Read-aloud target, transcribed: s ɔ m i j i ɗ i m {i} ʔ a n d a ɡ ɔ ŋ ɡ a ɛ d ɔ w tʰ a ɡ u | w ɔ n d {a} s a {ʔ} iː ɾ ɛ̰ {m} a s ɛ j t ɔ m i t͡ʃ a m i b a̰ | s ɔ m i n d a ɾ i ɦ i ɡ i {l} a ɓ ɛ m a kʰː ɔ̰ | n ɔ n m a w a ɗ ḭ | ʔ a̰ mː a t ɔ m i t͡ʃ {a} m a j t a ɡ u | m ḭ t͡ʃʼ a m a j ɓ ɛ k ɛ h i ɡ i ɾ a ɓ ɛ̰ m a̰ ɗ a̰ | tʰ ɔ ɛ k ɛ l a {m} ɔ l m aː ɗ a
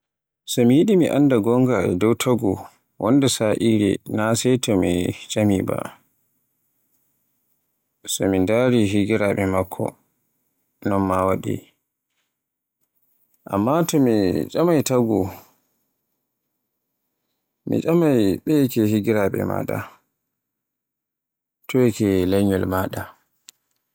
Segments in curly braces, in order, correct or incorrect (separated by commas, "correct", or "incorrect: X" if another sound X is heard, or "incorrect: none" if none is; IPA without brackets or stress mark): correct, incorrect: ɛ, correct, incorrect: n, incorrect: ɾ, correct, incorrect: ɲ